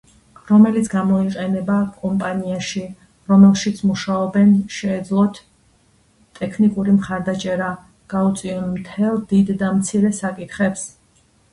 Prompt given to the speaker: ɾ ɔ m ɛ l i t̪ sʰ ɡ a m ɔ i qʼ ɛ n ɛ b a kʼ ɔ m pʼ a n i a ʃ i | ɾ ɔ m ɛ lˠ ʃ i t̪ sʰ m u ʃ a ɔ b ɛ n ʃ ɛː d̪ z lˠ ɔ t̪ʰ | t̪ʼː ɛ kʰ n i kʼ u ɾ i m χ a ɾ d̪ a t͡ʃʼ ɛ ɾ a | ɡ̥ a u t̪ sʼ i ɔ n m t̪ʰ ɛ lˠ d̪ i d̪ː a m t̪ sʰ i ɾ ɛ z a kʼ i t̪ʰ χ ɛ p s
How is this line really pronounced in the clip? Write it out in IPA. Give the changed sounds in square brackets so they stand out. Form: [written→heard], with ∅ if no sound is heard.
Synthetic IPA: ɾ ɔ m ɛ l i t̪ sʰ ɡ a m ɔ i qʼ ɛ n ɛ b a kʼ ɔ m pʼ a n i a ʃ i | ɾ ɔ m ɛ lˠ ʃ i t̪ sʰ m u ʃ a ɔ b ɛ n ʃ ɛː d̪ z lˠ ɔ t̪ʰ | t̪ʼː ɛ kʰ n i kʼ u ɾ i m χ a ɾ d̪ a t͡ʃʼ ɛ ɾ a | ɡ̥ a u t̪ sʼ i ɔ n m t̪ʰ ɛ lˠ d̪ i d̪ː a m t̪ sʰ i ɾ ɛ [z→s] a kʼ i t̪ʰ χ ɛ p s